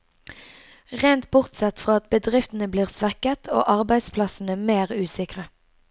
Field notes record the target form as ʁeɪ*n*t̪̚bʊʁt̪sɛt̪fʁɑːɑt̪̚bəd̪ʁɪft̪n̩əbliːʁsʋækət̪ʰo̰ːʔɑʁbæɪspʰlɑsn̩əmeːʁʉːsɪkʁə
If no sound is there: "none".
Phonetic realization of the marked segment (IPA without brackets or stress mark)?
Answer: n